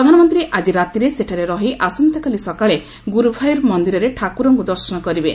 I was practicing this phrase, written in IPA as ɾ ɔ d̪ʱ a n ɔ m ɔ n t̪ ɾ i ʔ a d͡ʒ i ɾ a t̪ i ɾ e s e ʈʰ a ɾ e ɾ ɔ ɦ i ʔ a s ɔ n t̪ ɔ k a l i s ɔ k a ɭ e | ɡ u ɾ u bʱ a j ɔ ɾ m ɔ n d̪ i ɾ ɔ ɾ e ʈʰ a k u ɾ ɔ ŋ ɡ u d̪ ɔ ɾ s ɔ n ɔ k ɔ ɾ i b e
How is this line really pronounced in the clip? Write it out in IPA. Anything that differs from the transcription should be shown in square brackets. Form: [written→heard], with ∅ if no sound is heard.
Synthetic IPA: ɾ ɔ d̪ʱ a n ɔ m ɔ n t̪ ɾ i ʔ a d͡ʒ i ɾ a t̪ i ɾ e s e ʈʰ a ɾ e ɾ ɔ ɦ i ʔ a s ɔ n t̪ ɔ k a l i s ɔ k a ɭ e | ɡ u ɾ u bʱ a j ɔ ɾ m ɔ n d̪ i ɾ ɔ ɾ e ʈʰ a k u ɾ ɔ ŋ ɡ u d̪ ɔ ɾ s ɔ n ɔ k ɔ ɾ i b e